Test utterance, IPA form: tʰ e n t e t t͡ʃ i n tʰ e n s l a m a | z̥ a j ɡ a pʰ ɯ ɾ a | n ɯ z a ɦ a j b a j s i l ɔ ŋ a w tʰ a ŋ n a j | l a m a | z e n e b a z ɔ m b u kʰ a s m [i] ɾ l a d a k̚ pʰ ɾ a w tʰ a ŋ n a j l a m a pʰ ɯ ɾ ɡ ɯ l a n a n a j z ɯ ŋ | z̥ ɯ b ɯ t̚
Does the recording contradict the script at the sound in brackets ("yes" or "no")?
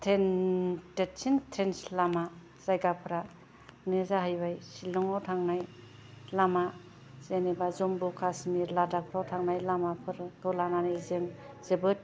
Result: no